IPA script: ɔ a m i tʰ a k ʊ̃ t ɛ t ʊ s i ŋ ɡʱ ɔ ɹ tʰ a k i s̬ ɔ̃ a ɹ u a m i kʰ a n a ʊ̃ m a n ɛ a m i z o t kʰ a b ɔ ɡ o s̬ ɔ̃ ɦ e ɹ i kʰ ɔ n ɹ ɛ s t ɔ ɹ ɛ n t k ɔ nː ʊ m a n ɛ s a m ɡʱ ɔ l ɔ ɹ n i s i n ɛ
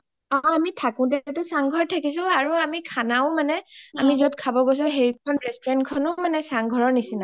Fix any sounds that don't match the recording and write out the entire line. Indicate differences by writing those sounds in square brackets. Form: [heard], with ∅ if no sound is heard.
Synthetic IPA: ɔ a m i tʰ a k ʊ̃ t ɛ t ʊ s [a] ŋ ɡʱ ɔ ɹ tʰ a k i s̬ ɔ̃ a ɹ u a m i kʰ a n a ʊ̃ m a n ɛ a m i z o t kʰ a b ɔ ɡ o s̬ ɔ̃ ɦ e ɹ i kʰ ɔ n ɹ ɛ s t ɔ ɹ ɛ n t [kʰ] ɔ [n] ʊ m a n ɛ s a [ŋ] ɡʱ ɔ [ɹ] ɔ ɹ n i s i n [a]